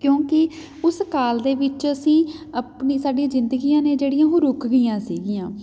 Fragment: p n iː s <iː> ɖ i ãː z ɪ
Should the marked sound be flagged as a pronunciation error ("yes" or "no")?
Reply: yes